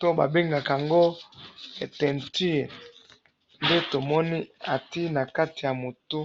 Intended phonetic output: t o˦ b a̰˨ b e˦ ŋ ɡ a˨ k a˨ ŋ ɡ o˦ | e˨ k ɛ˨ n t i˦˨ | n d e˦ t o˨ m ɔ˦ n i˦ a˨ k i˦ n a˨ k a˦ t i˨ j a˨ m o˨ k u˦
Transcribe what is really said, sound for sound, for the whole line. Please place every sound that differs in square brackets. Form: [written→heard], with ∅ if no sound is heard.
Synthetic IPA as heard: t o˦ b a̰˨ b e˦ ŋ ɡ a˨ k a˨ ŋ ɡ o˦ | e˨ [k→t] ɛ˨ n t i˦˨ | n d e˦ t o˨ m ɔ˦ n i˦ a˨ [k→t] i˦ n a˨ k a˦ t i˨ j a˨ m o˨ [k→t] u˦